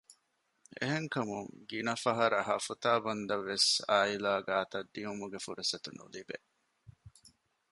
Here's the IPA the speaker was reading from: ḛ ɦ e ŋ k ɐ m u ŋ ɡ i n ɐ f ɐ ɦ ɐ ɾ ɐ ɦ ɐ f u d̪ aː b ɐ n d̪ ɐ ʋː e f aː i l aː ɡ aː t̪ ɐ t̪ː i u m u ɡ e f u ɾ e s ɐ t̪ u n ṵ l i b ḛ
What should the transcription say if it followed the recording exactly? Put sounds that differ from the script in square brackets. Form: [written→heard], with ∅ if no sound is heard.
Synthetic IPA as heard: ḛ ɦ e ŋ k ɐ m u ŋ ɡ i n ɐ f ɐ ɦ ɐ ɾ ɐ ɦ ɐ f u [d̪→t̪] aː b ɐ n d̪ ɐ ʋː e [f→s] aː i l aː ɡ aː t̪ ɐ [t̪ː→d̪ː] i u m u ɡ e f u ɾ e s ɐ t̪ u n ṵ l i b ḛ

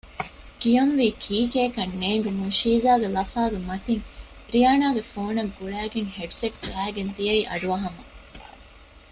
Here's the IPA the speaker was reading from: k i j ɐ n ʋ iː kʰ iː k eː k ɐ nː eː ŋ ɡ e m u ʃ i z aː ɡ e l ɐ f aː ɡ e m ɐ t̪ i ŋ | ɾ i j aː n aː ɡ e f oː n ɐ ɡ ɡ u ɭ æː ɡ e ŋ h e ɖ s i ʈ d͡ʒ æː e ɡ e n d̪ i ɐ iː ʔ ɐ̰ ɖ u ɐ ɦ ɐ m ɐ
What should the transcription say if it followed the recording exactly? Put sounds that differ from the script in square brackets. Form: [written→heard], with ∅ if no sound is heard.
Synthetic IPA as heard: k i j ɐ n ʋ iː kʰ iː k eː k ɐ nː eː ŋ ɡ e m u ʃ [i→iː] z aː ɡ e l ɐ f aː ɡ e m ɐ t̪ i ŋ | ɾ i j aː n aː ɡ e f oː n ɐ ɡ ɡ u ɭ æː ɡ e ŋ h e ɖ s [i→e] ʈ d͡ʒ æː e ɡ e n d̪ i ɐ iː ʔ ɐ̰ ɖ u ɐ ɦ ɐ m ɐ

